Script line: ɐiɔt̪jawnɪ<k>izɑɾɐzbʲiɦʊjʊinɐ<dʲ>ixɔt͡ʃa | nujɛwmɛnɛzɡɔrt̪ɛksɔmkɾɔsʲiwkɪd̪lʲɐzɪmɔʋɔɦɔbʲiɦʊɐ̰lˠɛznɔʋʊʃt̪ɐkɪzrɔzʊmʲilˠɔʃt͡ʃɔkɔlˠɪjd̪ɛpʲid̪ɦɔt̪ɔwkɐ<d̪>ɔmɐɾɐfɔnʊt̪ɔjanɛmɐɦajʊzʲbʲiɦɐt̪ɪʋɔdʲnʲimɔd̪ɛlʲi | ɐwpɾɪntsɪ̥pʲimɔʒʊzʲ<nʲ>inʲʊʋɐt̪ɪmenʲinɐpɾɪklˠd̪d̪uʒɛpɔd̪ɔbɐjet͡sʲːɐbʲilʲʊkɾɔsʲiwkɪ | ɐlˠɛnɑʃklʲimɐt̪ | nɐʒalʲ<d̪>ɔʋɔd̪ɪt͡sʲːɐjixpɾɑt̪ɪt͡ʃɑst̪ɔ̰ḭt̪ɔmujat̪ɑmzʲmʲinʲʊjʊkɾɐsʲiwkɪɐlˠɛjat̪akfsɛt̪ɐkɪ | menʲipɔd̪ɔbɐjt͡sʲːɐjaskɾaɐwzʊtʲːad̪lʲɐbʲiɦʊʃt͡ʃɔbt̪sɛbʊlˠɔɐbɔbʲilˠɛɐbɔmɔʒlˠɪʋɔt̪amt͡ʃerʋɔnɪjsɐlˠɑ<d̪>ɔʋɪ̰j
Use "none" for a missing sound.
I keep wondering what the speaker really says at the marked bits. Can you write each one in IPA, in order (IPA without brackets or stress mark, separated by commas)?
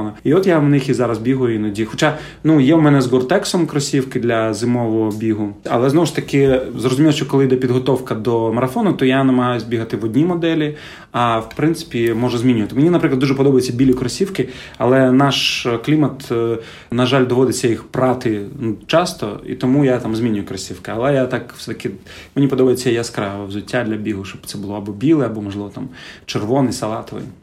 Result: x, dʲ, d̪, mʲ, d̪, t̪